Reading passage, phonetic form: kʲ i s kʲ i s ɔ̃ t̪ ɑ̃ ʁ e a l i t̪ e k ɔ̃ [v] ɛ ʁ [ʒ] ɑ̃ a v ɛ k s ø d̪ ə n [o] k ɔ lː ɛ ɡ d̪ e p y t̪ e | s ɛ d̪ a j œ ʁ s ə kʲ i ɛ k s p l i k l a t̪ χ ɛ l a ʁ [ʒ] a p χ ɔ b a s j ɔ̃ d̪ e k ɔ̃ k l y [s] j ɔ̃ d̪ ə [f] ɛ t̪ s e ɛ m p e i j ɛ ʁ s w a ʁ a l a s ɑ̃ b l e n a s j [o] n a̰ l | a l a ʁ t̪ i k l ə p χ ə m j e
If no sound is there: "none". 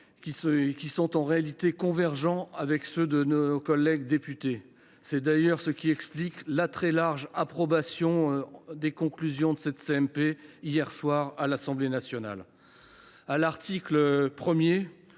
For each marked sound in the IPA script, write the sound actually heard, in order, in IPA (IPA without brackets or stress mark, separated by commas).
v, ʒ, o, ʒ, z, s, ɔ